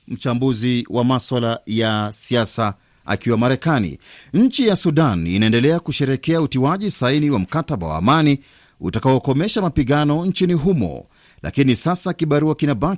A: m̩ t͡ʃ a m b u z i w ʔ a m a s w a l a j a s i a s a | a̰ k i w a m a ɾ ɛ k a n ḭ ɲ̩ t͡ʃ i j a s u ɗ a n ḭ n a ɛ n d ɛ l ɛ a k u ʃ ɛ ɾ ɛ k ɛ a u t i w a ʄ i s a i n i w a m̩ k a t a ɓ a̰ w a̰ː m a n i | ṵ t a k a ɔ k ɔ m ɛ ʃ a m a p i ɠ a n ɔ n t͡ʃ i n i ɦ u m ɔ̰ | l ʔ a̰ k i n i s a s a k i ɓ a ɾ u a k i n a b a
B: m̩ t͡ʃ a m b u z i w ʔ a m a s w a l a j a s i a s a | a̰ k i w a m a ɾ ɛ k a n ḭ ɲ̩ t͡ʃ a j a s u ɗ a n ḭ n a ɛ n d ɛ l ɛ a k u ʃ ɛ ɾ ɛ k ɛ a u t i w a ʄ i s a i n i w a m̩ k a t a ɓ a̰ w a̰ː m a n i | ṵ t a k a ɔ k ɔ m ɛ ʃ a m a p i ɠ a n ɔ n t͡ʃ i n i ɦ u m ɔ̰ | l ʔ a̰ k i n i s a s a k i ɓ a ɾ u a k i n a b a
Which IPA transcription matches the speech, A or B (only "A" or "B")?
A